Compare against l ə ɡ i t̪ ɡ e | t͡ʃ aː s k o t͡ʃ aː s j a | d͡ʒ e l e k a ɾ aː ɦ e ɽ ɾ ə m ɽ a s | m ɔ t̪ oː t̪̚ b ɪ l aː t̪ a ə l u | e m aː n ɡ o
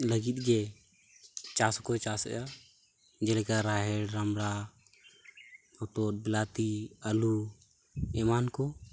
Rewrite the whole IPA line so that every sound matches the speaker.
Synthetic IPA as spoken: l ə ɡ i t̪ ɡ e | t͡ʃ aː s k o t͡ʃ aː s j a | d͡ʒ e l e k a ɾ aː ɦ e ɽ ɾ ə m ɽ a | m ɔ t̪ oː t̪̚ b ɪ l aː t̪ i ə l u | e m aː n k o